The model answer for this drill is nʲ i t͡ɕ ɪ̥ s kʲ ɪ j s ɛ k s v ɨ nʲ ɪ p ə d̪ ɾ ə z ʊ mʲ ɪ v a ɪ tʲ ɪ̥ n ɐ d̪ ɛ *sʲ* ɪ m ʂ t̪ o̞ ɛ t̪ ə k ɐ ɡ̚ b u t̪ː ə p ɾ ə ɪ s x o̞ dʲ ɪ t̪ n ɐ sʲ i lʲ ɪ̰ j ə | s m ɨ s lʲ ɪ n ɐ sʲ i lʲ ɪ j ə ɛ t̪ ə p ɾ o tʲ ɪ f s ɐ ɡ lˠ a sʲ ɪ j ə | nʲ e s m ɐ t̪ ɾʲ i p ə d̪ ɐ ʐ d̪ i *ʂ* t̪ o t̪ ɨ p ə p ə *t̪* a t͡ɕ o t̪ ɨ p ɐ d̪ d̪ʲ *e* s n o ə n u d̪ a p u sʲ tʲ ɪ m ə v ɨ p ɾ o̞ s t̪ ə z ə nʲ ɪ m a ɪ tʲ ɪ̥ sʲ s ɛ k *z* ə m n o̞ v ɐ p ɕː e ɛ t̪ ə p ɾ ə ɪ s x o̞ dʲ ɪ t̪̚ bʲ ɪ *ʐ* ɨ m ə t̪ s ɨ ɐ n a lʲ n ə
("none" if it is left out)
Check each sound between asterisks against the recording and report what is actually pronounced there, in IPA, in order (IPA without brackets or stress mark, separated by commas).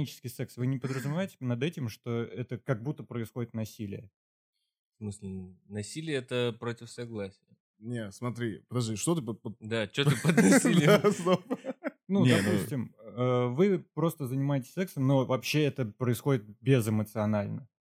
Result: tʲ, ʂ, d̪, a, s, z